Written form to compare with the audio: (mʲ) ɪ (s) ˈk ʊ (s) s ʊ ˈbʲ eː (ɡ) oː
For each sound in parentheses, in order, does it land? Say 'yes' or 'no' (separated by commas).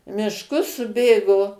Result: yes, no, yes, yes